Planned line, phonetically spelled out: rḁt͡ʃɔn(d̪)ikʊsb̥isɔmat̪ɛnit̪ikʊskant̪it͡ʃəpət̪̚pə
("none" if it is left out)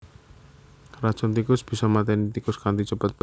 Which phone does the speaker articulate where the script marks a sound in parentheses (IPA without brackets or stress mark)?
t̪